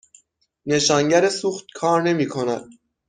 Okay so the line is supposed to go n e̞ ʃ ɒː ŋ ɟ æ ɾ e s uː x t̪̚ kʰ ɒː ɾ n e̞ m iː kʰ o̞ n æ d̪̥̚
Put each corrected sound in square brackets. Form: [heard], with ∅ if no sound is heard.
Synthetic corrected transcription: n e̞ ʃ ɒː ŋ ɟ æ ɾ e s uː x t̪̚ kʰ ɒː ɾ n e̞ m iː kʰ o̞ n æ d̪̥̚